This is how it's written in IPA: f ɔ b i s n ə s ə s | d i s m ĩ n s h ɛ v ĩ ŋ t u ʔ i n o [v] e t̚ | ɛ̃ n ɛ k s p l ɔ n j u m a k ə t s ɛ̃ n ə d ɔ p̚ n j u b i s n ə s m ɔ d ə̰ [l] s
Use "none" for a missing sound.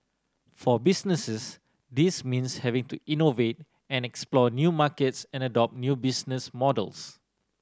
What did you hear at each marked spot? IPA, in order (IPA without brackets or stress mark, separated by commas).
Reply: v, l